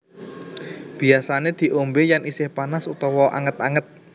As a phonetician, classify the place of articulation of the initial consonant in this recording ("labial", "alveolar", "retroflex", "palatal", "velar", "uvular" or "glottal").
labial